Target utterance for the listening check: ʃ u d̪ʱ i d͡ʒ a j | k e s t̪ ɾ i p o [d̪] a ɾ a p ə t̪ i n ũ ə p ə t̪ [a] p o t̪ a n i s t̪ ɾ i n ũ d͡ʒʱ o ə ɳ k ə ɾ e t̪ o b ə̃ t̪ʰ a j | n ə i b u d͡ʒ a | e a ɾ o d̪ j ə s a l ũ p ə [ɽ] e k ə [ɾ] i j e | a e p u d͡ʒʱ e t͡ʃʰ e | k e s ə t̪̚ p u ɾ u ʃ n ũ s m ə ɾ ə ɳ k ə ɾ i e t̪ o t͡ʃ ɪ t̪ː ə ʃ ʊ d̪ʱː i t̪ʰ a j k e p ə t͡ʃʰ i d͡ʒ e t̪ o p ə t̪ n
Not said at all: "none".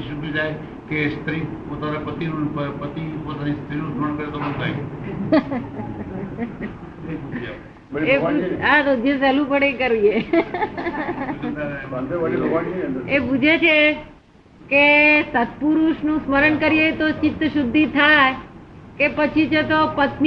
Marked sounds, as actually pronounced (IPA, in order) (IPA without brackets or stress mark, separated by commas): t̪, i, ɽ, ɾ